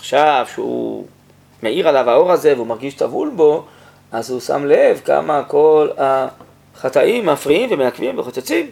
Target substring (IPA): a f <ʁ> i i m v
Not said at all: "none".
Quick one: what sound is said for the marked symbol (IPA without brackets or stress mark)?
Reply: ʁ